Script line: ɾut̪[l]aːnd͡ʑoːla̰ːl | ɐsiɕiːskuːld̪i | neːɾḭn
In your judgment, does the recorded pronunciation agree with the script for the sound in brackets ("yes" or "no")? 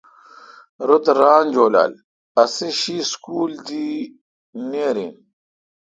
no